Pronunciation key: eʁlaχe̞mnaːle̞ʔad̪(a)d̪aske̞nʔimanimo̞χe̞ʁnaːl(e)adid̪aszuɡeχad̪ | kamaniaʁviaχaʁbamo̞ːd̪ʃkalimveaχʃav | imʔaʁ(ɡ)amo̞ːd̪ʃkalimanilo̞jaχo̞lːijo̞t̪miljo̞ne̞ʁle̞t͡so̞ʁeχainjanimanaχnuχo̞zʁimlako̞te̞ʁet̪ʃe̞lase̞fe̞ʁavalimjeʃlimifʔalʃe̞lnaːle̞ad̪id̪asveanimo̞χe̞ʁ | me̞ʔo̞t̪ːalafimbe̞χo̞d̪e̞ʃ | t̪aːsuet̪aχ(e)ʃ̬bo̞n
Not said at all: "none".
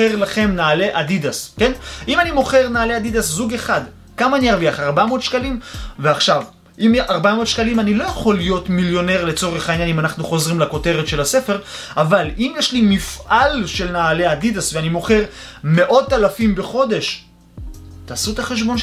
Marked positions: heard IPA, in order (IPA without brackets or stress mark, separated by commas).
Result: i, e, b, e